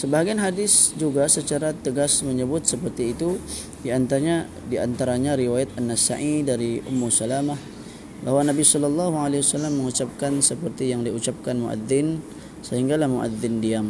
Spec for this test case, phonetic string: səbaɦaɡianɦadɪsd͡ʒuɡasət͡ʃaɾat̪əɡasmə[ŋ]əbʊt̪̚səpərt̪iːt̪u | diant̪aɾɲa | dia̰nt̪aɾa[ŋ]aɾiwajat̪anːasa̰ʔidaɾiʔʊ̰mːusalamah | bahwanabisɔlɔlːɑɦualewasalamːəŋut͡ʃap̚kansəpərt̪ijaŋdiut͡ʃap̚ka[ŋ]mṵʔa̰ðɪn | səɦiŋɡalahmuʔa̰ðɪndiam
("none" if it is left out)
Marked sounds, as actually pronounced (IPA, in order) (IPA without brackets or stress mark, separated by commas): ɲ, ɲ, n